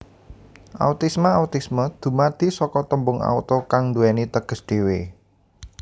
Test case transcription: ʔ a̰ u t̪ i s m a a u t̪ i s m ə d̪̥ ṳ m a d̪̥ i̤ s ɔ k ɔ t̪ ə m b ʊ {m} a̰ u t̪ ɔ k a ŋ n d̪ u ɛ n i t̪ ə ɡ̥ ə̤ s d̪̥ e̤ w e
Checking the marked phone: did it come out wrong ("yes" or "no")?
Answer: yes